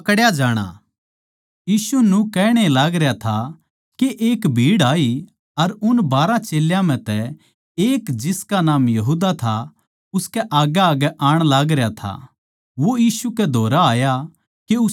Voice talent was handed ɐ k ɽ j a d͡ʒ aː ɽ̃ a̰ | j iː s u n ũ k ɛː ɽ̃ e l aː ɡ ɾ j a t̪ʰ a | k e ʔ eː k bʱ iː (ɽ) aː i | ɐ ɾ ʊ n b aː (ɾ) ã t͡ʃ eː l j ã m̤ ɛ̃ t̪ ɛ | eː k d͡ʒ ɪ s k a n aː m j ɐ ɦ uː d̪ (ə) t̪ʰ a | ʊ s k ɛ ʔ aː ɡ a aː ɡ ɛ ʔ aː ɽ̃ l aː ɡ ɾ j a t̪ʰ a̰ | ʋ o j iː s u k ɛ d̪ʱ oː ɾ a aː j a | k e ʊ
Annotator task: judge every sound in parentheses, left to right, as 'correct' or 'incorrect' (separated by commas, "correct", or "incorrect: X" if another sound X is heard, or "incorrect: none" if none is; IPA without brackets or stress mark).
correct, correct, incorrect: a